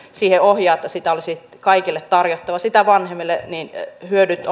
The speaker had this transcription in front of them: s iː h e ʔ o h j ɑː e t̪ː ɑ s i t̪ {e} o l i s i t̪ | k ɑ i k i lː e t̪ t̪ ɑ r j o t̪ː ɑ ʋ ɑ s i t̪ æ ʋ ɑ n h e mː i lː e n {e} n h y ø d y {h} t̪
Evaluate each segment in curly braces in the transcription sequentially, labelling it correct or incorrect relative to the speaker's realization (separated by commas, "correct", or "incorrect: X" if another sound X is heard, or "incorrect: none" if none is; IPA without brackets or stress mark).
incorrect: æ, incorrect: i, incorrect: none